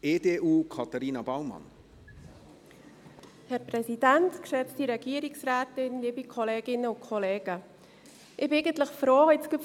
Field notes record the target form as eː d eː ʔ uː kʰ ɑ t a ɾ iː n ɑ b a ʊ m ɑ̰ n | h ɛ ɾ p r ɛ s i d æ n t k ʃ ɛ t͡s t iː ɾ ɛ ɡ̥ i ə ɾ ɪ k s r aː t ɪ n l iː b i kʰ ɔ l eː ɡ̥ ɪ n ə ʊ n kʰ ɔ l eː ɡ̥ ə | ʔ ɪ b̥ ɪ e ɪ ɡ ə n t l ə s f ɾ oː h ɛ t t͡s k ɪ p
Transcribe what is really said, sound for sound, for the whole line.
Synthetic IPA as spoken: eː d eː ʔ uː kʰ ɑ t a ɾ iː n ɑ b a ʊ m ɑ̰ n | h ɛ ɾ p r ɛ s i d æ n t k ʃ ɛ t͡s t i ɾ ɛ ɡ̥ i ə ɾ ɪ k s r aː t ɪ n l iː b i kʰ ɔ l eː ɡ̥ ɪ n ə ʊ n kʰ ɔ l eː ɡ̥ ə | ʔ ɪ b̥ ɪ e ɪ ɡ ə n t l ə χ f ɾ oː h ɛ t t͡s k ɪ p

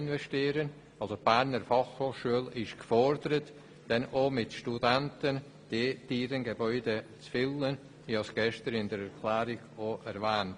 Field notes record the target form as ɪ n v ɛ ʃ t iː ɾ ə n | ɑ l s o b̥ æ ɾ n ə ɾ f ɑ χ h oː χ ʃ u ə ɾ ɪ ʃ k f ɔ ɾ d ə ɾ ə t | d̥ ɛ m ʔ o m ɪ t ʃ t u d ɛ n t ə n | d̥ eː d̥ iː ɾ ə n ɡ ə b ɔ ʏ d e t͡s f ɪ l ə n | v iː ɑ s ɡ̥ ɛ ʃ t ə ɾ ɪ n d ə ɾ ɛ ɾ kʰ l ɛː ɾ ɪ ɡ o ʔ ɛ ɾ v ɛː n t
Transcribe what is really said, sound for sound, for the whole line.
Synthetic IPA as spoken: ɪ n v ɛ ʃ t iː ɾ ə n | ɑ l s o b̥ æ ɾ n ə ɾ f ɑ χ h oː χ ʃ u ə l ɪ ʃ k f ɔ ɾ d ə ɾ ə t | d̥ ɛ n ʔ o m ɪ t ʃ t u d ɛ n t ə n | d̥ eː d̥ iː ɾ ə n ɡ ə b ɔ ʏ d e t͡s f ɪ l ə n | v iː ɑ s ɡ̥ ɛ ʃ t ə ɾ ɪ n d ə ɾ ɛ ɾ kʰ l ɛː ɾ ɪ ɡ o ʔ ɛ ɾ v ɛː n t

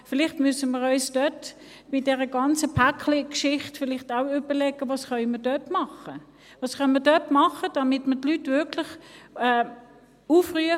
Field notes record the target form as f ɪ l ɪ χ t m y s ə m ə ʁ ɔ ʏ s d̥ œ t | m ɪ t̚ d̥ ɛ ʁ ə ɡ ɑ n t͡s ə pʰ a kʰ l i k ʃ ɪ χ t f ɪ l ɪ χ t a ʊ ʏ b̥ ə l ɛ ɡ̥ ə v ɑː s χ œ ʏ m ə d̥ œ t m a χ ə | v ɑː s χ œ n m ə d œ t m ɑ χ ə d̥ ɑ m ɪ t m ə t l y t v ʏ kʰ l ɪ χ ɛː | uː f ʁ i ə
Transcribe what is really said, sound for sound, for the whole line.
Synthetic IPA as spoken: f ɪ l ɪ χ t m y s ə m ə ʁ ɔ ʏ s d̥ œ t | m ɪ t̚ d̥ ɛ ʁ ə ɡ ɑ n t͡s ə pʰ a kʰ l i k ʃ ɪ χ t f ɪ l ɪ χ t a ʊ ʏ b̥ ə l ɛ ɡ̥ ə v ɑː s χ œ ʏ m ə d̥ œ t m ɑ χ ə | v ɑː s χ œ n m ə d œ t m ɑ χ ə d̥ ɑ m ɪ t m ə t l y t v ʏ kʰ l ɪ χ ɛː | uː f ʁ y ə

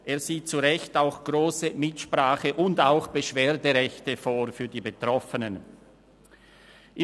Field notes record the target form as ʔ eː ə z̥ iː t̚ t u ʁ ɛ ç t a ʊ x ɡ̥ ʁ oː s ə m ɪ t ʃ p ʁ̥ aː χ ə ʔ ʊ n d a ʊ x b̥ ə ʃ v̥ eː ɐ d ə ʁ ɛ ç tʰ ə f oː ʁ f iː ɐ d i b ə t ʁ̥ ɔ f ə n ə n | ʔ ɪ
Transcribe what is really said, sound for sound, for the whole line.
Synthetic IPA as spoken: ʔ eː ɐ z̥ iː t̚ t͡s u ʁ ɛ ç t a ʊ x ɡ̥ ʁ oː s ə m ɪ t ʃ p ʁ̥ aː χ ə ʔ ʊ n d a ʊ x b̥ ə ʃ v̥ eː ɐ d ə ʁ ɛ ç t ə f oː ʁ f yː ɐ d iː b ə t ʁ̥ ɔ f ə n ə n | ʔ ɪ

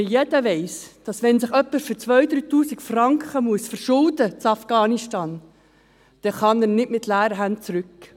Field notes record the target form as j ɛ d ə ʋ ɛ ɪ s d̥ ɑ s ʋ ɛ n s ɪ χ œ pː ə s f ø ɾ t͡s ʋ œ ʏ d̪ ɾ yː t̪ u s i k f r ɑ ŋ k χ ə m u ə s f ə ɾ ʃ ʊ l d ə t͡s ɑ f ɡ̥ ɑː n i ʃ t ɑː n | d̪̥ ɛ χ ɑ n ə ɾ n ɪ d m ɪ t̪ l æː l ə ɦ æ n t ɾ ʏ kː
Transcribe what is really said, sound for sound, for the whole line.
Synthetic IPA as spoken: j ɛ d ə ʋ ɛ ɪ s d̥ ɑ s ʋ ɛ n s ɪ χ œ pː ə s f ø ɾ t͡s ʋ œ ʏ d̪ ɾ yː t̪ uː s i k f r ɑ ŋ k χ ə m u ə s f ə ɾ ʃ ʊ l d ə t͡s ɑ f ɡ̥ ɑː n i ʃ t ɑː n | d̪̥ ɛ χ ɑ n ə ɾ n ɪ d m ɪ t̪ l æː ɾ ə ɦ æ n t͡s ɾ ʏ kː

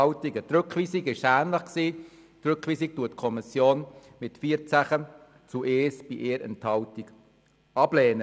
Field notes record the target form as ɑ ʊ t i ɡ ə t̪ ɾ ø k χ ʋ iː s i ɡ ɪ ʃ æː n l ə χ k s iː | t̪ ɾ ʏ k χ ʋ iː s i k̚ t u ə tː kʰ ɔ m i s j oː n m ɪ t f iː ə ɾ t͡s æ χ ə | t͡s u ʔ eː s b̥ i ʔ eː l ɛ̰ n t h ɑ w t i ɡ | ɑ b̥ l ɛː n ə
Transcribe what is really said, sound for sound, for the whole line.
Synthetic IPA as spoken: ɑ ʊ t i ɡ ə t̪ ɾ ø k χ ʋ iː s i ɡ ɪ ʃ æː n l ə χ k s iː | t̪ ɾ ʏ k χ ʋ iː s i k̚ t u ə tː kʰ ɔ m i s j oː n m ɪ t f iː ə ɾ t͡s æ χ ə | t͡s u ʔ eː s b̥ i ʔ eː ɾ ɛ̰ n t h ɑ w t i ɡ | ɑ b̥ l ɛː n ə

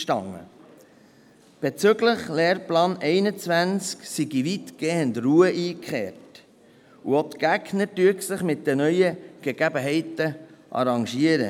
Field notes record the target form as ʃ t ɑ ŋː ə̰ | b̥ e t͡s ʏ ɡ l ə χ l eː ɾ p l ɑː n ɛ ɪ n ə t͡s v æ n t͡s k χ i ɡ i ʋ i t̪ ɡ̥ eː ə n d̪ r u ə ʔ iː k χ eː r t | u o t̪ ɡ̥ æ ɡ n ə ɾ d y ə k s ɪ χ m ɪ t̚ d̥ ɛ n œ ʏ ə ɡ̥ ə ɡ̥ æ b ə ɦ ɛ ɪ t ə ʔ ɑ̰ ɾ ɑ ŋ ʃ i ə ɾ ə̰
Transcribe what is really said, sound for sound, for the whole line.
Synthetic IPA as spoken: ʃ t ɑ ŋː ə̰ | b̥ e t͡s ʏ ɡ l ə χ l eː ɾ p l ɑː n ɛ ɪ n ə t͡s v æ n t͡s k s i ɡ i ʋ i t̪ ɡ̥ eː ə n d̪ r u ə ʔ iː k χ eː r t | u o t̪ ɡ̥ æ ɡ n ə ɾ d y ə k s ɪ χ m ɪ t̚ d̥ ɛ n œ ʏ ə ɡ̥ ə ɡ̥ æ b ə ɦ ɛ ɪ t ə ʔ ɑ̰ ɾ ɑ ŋ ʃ i ə ɾ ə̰

